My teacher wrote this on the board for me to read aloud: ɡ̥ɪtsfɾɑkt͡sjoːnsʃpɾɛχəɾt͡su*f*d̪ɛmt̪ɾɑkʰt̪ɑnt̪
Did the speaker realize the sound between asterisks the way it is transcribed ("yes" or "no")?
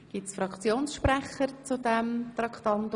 no